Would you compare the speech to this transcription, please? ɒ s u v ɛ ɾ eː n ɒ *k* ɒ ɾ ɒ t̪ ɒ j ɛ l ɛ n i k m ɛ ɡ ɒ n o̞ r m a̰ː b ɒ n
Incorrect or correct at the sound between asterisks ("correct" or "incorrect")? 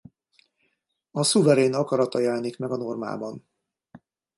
correct